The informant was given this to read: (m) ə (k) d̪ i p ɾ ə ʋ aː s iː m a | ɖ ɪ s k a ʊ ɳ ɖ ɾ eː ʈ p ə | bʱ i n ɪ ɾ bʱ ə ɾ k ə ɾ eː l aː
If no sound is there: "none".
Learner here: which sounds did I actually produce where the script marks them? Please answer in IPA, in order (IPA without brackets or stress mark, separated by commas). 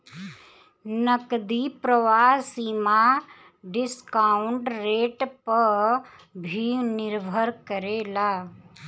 n, k